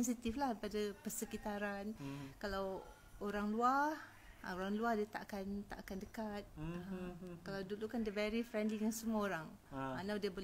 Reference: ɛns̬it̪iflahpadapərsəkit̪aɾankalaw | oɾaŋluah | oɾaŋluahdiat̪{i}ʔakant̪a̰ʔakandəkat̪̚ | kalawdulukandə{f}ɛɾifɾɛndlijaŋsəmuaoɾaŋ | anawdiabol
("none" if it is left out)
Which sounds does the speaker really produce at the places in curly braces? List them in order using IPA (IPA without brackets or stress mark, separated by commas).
a, v